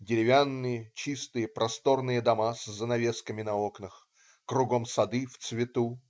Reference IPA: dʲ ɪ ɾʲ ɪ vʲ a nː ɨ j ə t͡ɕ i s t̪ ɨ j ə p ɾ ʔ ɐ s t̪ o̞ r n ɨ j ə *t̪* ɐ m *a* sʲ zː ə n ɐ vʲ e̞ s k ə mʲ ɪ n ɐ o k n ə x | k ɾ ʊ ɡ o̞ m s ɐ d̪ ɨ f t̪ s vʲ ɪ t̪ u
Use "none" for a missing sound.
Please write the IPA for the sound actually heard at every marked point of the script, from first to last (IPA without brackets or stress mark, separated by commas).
d̪, a